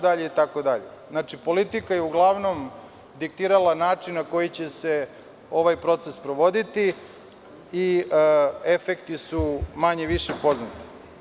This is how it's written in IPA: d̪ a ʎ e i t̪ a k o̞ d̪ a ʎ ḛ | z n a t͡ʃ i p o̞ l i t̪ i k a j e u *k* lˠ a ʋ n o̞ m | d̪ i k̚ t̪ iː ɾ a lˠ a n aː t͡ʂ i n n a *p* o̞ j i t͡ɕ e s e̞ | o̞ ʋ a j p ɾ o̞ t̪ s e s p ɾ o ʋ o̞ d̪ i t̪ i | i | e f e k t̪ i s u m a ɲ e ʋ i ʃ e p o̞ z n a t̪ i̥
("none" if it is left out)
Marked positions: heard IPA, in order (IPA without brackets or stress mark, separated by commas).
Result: ɡ, k